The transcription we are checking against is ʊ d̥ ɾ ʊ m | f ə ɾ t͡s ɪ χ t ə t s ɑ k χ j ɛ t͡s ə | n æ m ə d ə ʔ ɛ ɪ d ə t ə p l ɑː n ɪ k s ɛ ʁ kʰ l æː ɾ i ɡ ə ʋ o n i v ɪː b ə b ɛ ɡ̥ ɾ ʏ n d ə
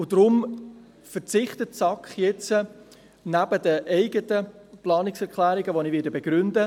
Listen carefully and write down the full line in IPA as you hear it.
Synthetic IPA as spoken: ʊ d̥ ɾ ʊ m | f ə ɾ t͡s ɪ χ t ə t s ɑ k χ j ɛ t͡s ə | n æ b ə d ə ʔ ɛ ɪ ɡ ə t ə p l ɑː n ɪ k s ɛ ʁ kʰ l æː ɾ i ɡ ə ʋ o n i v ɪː d ə b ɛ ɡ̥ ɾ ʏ n d ə